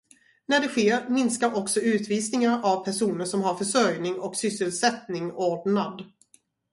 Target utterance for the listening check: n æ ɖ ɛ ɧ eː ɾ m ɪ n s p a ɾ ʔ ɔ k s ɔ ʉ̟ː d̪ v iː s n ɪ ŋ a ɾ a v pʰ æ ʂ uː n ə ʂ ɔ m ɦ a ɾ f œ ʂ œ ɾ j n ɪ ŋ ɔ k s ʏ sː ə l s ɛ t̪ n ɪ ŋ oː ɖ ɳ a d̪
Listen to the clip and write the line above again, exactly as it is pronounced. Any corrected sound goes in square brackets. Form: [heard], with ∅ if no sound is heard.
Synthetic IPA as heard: n æ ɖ ɛ ɧ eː ɾ m ɪ n s [k] a ɾ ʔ ɔ k s ɔ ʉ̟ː [t̪] v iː s n ɪ ŋ a ɾ a v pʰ æ ʂ uː n ə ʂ ɔ m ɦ a ɾ f œ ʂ œ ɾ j n ɪ ŋ ɔ k s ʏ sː ə l s ɛ t̪ n ɪ ŋ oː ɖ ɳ a d̪